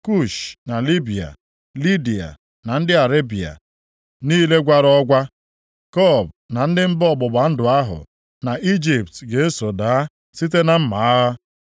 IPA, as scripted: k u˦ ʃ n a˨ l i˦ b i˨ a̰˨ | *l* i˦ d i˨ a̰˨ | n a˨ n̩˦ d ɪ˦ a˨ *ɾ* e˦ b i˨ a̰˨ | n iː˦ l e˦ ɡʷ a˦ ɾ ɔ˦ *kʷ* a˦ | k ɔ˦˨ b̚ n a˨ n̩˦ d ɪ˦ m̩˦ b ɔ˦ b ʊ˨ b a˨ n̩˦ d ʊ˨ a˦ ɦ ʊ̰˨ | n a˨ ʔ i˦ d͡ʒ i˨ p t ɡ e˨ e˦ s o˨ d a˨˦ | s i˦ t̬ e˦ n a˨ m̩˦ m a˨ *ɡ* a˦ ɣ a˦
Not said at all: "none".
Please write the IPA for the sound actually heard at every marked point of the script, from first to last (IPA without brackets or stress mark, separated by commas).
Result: l, ɾ, ɡʷ, none